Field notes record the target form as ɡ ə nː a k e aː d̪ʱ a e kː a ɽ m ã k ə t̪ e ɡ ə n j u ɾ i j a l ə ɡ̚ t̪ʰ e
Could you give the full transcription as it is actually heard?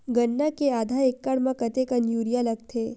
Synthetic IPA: ɡ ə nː a k e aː d̪ʱ a e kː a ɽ m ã k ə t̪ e k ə n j u ɾ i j a l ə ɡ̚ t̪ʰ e